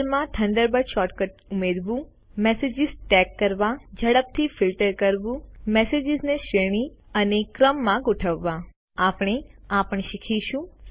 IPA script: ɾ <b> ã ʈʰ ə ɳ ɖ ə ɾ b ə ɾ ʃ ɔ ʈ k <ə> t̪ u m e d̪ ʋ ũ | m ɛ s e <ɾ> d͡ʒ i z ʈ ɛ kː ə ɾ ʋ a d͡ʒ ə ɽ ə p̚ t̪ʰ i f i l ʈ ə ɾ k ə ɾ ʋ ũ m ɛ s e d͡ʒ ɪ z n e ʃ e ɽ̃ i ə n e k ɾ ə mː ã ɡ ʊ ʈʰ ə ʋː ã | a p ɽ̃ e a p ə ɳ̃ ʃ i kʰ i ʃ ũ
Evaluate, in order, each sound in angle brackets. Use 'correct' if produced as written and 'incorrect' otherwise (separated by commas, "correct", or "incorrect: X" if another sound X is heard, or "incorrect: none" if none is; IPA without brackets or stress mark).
incorrect: m, correct, incorrect: none